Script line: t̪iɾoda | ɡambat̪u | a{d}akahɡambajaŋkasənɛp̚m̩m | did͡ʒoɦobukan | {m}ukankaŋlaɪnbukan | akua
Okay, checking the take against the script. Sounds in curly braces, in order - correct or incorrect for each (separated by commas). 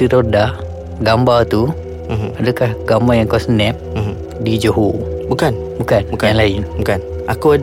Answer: correct, incorrect